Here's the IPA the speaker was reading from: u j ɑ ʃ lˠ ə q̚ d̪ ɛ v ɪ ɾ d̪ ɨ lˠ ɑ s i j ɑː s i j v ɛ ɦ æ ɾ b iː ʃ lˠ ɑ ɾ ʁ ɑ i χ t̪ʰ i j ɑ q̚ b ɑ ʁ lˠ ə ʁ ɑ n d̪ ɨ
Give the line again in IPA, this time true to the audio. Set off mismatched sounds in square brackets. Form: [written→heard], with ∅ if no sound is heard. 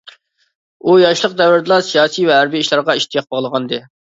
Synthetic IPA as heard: u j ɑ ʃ lˠ ə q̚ d̪ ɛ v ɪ ɾ d̪ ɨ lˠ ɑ s i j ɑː s i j v ɛ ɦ æ ɾ b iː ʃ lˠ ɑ ɾ ʁ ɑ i [χ→ʃ] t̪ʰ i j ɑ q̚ b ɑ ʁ lˠ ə ʁ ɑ n d̪ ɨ